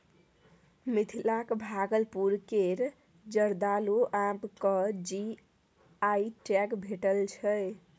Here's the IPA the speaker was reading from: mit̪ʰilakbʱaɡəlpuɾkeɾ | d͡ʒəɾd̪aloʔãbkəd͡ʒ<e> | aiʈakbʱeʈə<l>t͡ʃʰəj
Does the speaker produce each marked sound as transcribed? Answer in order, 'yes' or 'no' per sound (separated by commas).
no, yes